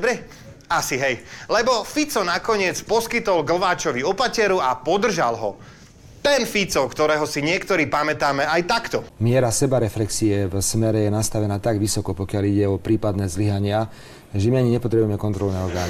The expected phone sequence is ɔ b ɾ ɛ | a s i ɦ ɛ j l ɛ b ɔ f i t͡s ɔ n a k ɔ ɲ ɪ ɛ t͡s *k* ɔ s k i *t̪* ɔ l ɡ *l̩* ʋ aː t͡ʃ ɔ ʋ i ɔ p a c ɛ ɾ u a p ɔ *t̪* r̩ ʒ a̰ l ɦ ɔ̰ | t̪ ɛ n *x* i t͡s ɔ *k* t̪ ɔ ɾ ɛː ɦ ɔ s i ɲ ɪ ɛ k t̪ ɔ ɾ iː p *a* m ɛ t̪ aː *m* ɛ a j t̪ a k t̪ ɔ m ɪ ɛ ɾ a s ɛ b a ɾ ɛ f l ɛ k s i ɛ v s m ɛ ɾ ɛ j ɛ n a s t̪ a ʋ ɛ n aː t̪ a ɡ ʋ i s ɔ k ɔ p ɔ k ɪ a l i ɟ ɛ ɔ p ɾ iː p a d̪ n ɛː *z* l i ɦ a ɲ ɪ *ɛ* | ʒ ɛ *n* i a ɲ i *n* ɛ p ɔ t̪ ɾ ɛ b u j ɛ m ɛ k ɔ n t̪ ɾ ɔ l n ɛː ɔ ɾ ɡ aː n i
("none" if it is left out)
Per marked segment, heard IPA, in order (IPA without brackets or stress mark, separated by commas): p, t̪, l̩, d̪, f, k, a, m, z, a, m, ɲ